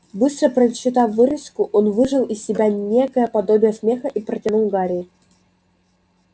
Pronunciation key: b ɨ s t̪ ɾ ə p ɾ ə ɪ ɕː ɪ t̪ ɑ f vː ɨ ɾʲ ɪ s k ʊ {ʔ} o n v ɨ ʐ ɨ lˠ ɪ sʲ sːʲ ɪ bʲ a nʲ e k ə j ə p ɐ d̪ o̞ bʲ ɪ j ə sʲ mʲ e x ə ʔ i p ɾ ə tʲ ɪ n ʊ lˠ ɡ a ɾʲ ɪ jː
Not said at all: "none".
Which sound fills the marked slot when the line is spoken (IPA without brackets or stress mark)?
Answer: ʔ